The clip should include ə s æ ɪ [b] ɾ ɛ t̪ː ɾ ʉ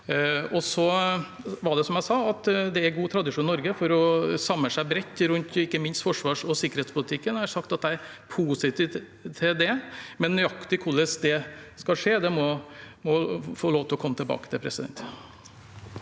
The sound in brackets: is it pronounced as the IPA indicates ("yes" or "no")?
yes